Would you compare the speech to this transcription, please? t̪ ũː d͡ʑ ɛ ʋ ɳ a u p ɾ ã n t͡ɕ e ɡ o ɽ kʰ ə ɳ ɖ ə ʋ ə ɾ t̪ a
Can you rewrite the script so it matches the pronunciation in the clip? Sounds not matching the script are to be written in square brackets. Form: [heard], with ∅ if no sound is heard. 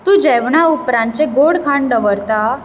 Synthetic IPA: t̪ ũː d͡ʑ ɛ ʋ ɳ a u p ɾ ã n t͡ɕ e ɡ o ɽ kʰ [a] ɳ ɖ ə ʋ ə ɾ t̪ a